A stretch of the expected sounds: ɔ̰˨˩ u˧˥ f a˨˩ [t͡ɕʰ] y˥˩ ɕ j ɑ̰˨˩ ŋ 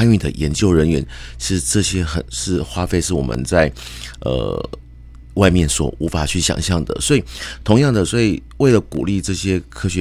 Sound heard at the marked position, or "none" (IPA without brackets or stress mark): t͡ɕʰ